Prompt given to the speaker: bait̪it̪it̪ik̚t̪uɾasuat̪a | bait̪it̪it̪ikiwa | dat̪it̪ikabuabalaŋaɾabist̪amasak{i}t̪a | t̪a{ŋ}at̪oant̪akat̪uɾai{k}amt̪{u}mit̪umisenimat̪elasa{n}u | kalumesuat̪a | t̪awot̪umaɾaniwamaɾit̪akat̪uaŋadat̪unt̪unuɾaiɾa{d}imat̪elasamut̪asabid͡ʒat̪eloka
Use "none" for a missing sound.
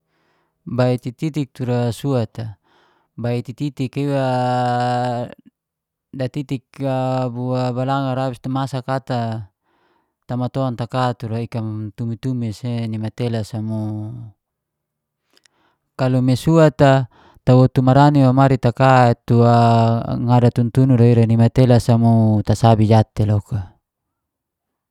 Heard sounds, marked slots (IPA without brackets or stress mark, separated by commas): a, m, k, u, m, n